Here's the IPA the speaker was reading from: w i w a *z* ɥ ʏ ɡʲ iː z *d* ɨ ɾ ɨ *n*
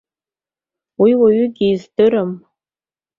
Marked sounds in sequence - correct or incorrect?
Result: incorrect: none, correct, incorrect: m

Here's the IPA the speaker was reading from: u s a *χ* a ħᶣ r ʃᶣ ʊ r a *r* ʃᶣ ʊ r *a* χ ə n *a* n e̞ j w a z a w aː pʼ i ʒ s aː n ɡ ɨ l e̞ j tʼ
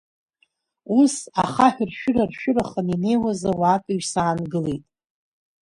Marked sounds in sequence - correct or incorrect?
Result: correct, correct, correct, incorrect: i

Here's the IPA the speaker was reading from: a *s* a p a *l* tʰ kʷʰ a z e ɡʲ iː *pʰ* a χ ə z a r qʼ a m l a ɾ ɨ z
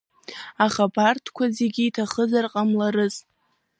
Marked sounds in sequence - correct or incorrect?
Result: incorrect: χ, incorrect: r, incorrect: tʰ

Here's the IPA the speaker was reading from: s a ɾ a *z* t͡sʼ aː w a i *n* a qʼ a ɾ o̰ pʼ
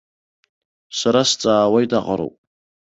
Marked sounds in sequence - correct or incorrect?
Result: incorrect: s, incorrect: d

